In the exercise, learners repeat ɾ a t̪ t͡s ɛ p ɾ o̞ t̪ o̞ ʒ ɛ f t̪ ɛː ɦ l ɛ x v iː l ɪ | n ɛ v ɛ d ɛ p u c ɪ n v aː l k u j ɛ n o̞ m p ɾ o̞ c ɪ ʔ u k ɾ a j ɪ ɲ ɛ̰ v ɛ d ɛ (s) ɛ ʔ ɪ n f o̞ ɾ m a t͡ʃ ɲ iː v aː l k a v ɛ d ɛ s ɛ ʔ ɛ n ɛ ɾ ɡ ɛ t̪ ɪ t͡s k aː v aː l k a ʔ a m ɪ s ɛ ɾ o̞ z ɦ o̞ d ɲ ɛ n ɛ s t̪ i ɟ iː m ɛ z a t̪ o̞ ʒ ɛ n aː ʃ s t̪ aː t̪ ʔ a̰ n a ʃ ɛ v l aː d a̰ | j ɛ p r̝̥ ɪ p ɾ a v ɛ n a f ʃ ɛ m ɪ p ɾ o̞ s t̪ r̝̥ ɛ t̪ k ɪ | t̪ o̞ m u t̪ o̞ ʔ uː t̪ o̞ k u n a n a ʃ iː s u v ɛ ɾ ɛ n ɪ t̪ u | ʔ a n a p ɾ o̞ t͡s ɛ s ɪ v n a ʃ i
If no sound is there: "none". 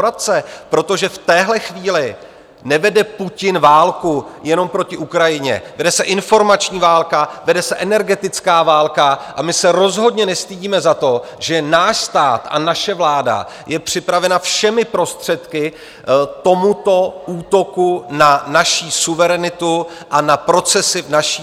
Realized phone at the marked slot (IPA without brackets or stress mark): s